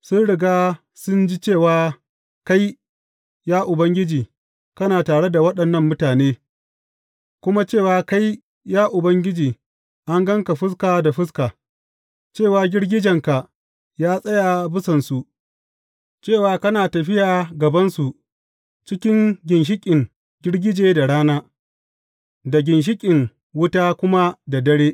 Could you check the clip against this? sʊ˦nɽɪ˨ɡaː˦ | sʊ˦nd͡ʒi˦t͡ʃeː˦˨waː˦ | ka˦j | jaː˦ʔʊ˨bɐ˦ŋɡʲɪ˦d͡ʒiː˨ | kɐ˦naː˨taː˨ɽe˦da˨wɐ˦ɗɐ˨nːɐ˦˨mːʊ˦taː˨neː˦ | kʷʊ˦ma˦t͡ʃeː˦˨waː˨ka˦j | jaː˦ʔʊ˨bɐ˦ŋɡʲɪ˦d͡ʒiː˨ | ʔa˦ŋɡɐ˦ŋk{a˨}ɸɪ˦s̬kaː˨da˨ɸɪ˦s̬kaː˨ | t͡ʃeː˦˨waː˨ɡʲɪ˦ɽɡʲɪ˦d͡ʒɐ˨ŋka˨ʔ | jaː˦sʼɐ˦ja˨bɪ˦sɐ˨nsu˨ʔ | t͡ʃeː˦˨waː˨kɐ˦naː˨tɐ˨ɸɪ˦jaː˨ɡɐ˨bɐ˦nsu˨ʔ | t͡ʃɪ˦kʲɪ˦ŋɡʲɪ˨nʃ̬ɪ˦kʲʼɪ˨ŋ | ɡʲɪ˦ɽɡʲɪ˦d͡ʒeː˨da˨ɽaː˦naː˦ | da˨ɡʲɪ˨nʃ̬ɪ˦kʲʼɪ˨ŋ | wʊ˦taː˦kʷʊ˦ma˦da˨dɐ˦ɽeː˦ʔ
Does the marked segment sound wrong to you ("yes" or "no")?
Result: no